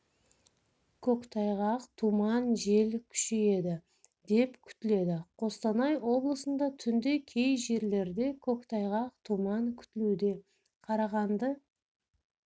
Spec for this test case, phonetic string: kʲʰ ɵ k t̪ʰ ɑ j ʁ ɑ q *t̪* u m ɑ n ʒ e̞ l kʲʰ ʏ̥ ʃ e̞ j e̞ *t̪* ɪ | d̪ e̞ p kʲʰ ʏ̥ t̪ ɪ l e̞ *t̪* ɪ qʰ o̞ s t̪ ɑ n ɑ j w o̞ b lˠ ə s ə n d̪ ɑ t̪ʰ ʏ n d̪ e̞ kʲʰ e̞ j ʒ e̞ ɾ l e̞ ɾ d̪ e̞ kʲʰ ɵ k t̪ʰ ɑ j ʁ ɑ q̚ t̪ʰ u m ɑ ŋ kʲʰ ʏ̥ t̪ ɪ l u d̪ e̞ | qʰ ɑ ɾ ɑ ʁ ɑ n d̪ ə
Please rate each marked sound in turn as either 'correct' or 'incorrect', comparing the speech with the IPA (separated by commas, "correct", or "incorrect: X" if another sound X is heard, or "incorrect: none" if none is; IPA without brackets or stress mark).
incorrect: t̪ʰ, incorrect: d̪, incorrect: d̪